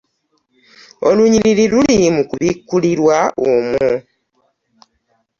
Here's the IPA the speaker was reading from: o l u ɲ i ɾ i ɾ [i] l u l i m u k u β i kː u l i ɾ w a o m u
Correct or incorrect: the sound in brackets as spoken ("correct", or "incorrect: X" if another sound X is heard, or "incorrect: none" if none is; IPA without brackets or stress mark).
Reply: correct